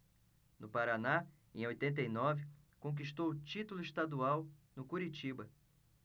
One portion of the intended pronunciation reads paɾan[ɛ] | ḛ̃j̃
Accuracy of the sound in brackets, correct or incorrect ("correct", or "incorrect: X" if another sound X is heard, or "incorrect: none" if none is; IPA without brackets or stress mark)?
incorrect: a